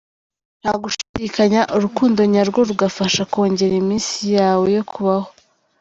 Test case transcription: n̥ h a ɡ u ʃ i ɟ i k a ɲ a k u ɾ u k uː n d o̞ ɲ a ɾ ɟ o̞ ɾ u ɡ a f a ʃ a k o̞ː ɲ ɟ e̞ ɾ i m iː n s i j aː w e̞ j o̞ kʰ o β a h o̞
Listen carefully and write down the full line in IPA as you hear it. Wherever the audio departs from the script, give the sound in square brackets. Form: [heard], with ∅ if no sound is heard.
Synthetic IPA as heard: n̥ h a ɡ u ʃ i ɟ i k a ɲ a [ʔ] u ɾ u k uː n d o̞ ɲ a ɾ [ɡ] o̞ ɾ u ɡ a f a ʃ a k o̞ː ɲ ɟ e̞ ɾ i m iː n s i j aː w e̞ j o̞ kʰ [u] β a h o̞